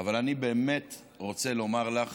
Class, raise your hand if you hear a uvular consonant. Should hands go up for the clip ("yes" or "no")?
yes